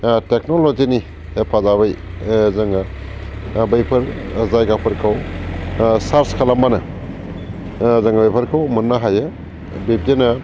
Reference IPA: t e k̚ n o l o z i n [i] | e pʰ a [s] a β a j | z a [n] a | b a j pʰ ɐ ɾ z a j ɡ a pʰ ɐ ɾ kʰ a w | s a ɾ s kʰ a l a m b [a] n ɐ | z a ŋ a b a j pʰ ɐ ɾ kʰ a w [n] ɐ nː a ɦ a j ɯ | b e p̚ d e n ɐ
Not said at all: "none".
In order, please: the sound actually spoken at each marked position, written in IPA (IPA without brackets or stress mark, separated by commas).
i, z, ŋ, a, m